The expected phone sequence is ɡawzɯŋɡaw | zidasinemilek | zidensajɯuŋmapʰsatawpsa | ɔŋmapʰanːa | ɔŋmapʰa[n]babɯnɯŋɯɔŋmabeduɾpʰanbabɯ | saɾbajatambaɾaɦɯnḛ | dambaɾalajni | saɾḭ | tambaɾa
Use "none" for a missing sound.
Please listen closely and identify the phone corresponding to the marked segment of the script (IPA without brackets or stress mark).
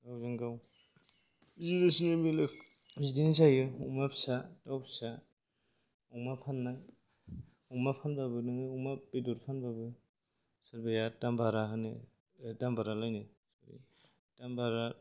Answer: n